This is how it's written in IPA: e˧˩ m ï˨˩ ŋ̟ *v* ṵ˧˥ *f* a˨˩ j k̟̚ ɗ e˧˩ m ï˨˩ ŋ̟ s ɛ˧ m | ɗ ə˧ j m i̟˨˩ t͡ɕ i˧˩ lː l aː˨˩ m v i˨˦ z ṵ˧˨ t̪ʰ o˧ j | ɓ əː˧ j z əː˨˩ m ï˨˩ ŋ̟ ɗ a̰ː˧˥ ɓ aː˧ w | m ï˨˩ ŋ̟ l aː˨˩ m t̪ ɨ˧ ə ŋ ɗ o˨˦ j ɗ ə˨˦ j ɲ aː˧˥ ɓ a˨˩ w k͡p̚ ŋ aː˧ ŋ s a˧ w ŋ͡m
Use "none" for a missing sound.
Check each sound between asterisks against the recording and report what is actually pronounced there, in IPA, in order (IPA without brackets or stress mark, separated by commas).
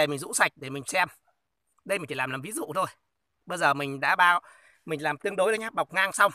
z, s